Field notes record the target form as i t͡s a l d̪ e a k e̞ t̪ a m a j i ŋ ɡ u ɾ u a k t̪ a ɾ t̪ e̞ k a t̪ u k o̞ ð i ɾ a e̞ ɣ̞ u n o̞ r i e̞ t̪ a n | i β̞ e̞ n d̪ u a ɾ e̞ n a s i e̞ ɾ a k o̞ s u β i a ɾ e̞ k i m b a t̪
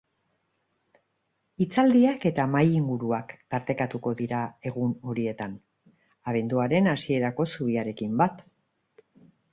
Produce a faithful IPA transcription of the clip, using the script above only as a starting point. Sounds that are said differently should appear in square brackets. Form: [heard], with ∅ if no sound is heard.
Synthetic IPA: i t͡s a l d̪ [i] a k e̞ t̪ a m a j i ŋ ɡ u ɾ u a k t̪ a ɾ t̪ e̞ k a t̪ u k o̞ ð i ɾ a e̞ ɣ̞ u n o̞ [ɾ] i e̞ t̪ a n | [a] β̞ e̞ n d̪ u a ɾ e̞ n a s i e̞ ɾ a k o̞ s u β i a ɾ e̞ k i m b a t̪